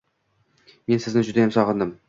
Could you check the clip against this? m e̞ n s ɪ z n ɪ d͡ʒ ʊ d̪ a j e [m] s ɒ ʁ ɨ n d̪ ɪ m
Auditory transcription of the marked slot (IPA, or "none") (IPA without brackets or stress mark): m